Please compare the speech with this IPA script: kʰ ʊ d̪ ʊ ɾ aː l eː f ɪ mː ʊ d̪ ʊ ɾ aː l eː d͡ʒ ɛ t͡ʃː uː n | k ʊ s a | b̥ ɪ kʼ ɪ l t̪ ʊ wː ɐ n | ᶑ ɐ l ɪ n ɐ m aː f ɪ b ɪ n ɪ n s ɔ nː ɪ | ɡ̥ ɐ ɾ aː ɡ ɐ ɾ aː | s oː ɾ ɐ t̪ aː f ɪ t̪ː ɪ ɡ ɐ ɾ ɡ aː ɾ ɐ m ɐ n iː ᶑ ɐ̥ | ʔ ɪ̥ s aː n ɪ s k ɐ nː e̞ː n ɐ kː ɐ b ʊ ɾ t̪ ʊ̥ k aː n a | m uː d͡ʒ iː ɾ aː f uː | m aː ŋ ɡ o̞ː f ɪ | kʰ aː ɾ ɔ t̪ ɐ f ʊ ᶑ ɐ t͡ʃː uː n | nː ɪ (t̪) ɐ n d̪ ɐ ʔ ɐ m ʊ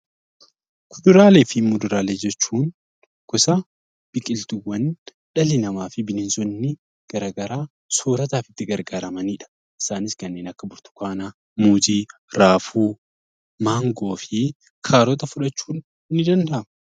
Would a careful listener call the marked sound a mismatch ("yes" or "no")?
yes